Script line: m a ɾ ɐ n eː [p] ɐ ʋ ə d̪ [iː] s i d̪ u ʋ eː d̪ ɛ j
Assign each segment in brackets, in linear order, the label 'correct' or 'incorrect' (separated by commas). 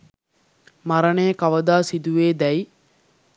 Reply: incorrect, incorrect